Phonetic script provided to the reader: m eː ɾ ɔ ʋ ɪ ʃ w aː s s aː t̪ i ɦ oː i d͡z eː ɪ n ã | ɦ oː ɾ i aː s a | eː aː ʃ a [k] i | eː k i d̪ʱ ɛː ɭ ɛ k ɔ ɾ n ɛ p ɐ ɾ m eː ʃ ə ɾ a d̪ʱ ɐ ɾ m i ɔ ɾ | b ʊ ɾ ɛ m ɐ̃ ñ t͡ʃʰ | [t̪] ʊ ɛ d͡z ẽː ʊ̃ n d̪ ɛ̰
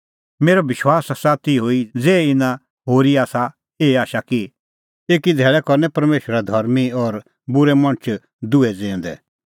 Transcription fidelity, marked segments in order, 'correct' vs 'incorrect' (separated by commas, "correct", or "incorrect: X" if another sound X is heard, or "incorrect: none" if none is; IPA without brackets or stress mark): correct, incorrect: d̪